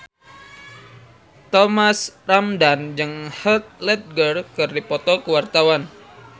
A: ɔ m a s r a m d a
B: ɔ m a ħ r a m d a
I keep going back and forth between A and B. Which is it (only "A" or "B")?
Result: A